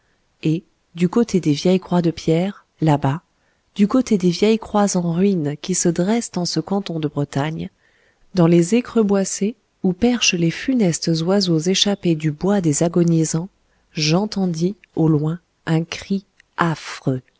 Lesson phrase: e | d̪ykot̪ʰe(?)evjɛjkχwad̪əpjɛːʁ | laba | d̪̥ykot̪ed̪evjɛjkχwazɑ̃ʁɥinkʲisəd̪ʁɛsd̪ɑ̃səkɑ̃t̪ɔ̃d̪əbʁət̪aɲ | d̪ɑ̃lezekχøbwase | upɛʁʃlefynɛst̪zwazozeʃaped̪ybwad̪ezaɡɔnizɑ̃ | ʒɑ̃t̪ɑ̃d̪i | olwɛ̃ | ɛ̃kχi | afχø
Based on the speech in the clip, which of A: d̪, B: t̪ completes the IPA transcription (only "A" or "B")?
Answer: A